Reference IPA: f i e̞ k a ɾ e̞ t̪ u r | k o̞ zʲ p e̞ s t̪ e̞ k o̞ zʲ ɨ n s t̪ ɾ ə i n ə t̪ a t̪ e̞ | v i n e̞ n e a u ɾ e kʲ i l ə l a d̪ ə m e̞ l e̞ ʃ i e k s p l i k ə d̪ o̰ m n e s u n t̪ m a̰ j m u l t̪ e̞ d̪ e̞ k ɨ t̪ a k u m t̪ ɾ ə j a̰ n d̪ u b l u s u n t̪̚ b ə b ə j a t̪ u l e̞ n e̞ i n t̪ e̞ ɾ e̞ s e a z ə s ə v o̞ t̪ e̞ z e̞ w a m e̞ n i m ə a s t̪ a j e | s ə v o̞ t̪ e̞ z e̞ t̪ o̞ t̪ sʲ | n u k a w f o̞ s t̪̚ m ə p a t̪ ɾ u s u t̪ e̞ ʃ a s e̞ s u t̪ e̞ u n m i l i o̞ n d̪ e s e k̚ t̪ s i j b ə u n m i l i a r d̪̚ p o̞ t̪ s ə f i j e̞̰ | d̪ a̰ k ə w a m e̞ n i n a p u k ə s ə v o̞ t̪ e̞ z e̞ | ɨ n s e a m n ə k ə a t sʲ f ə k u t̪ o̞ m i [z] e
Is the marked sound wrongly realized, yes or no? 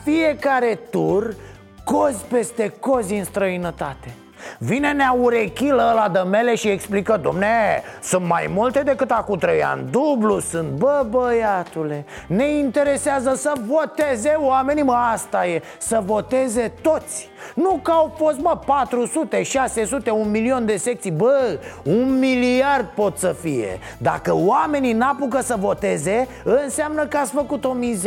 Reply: no